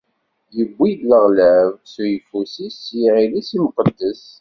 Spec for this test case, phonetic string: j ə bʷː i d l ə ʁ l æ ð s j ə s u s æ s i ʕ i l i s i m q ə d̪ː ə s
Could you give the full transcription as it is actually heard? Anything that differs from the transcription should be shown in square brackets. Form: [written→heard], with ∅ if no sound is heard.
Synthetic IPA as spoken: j ə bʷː i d l ə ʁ l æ [ð→v] s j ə [s→f] u s [æ→i] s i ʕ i l i s i m q ə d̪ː ə s